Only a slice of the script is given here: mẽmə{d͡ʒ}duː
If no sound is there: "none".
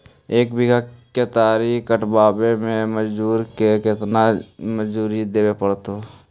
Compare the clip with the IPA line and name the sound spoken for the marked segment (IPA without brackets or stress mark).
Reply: d͡ʒ